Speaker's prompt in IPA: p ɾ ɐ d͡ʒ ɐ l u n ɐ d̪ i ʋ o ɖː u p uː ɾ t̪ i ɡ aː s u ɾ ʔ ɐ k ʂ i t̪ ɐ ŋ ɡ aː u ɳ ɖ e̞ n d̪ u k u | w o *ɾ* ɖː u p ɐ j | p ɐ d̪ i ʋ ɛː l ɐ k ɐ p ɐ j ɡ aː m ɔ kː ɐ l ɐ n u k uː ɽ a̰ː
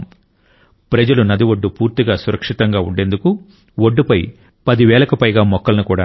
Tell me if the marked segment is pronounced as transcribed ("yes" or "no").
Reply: no